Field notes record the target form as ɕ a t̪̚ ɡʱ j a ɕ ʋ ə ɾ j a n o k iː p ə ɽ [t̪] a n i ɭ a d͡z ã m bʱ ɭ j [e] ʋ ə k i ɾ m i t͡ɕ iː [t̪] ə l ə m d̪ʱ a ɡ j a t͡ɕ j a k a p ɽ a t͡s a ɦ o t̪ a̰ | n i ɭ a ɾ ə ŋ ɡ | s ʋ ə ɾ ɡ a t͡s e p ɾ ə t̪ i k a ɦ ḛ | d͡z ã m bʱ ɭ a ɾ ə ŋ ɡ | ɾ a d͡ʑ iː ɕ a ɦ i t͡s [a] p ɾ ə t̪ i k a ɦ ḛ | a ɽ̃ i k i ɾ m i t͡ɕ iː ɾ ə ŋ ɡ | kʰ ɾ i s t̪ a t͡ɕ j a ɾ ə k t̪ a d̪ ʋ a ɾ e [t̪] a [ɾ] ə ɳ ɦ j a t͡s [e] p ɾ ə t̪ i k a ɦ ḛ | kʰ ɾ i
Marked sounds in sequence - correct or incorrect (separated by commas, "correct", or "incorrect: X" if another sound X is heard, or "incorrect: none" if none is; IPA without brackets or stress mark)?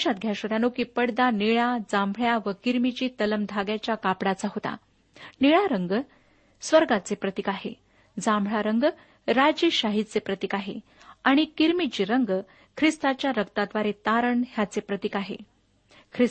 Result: incorrect: d̪, incorrect: a, correct, incorrect: e, correct, correct, correct